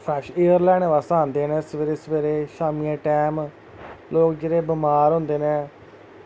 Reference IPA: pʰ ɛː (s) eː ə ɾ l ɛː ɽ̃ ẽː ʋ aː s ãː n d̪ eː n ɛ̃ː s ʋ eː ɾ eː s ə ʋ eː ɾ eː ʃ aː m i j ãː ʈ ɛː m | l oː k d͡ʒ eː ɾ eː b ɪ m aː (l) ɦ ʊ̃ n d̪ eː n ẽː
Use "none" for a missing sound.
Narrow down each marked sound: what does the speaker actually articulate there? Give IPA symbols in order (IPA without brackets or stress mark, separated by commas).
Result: ʃ, ɾ